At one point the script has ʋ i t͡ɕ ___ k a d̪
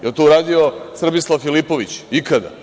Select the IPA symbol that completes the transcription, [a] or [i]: i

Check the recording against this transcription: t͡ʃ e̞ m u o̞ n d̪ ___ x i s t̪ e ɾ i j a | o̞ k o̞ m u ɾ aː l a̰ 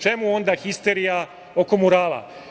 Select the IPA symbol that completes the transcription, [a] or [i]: a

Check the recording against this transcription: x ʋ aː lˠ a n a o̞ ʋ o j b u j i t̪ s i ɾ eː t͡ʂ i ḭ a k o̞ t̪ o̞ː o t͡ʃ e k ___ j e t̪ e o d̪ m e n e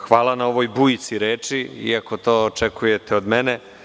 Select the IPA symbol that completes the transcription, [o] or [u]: u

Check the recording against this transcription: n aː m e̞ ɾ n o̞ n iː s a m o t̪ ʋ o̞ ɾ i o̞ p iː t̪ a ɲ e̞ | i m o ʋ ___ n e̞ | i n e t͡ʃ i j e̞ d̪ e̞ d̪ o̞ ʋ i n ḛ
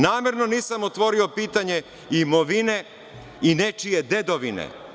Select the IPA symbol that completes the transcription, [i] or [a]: i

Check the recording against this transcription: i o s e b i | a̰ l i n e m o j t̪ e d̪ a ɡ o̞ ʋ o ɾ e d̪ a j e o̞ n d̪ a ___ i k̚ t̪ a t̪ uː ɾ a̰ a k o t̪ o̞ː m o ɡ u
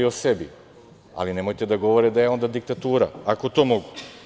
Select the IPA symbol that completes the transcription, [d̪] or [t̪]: d̪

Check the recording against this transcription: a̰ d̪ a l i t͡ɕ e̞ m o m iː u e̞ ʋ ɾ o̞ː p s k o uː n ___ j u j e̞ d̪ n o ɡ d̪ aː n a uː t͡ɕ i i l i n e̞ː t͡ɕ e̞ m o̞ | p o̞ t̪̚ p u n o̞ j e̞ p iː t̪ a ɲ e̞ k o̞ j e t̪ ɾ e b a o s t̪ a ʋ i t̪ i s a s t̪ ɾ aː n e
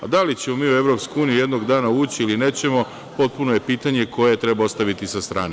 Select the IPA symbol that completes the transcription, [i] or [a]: i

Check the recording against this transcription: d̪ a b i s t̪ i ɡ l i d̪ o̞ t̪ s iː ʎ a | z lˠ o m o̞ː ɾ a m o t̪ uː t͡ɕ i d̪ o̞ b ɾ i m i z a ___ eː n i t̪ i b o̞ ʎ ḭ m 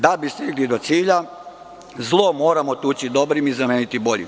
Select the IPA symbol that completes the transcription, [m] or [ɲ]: m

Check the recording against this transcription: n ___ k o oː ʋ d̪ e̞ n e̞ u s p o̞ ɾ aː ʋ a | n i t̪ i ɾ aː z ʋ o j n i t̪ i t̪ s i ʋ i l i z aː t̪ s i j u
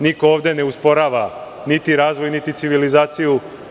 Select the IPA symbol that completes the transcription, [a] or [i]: i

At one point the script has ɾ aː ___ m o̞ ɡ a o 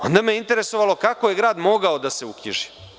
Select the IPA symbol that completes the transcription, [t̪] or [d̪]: d̪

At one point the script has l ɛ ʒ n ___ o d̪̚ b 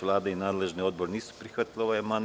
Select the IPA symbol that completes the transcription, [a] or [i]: i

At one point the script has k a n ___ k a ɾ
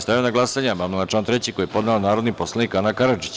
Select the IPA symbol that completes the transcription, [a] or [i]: a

